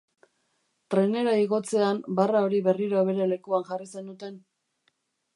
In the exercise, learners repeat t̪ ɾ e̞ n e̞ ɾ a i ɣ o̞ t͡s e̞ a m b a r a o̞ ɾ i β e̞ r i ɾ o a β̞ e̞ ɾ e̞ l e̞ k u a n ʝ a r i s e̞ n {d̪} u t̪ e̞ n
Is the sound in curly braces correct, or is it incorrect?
correct